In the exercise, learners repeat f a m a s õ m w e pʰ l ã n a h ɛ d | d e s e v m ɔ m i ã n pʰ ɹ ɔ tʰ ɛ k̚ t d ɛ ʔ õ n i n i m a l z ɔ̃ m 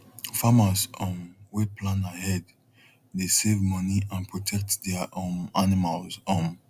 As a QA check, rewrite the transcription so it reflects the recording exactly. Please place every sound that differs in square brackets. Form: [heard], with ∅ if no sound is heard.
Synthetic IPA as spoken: f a m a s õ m w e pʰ l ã n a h ɛ d | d e s e v m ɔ [n] i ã n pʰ ɹ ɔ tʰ ɛ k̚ t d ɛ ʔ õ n [a] n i m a l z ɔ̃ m